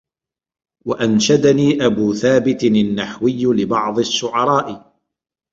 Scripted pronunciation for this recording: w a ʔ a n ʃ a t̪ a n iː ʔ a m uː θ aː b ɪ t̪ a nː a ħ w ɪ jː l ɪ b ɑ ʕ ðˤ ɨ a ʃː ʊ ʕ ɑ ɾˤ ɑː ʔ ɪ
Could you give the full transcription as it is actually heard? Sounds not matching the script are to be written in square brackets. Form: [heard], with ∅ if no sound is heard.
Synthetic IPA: w a ʔ a n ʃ a [d̪] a n iː ʔ a [b] uː θ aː b ɪ t̪ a nː a ħ w ɪ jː l ɪ b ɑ ʕ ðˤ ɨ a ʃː ʊ ʕ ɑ ɾˤ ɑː ʔ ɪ